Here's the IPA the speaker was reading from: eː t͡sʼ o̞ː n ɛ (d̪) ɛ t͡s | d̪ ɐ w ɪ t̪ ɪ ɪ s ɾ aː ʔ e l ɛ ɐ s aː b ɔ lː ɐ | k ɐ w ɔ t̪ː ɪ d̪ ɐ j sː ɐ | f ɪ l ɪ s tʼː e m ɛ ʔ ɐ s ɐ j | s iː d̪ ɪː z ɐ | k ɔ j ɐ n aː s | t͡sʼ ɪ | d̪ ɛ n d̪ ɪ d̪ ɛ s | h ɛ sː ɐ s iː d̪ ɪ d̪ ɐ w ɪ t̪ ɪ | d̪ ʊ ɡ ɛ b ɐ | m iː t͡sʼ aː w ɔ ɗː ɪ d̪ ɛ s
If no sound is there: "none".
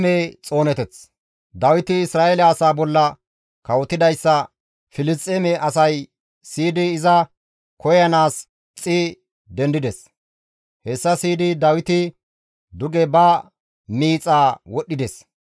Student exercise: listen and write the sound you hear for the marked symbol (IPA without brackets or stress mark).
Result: t̪